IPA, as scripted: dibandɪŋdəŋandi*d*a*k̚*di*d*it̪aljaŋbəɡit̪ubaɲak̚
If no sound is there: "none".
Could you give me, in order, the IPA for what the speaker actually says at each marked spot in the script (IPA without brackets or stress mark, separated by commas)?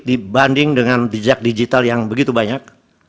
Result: d͡ʒ, k̚, d͡ʒ